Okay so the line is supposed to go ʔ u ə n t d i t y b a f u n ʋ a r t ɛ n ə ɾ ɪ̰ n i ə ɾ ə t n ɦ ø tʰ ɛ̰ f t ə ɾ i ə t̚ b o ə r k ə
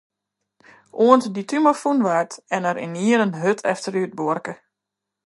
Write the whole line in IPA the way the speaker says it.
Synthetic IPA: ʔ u ə n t d i t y m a f u n ʋ a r t ɛ n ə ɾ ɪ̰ n i ə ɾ ə n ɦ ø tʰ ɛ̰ f t ə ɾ y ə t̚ b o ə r k ə